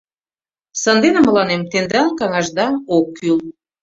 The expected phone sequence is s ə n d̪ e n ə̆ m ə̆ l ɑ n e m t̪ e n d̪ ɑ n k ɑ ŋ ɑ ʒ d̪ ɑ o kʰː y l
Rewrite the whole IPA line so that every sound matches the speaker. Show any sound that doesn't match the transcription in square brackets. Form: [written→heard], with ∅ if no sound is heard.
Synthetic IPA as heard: s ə n d̪ e n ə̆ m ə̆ l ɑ n e m t̪ e n d̪ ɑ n k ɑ ŋ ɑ ʒ d̪ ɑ o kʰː y l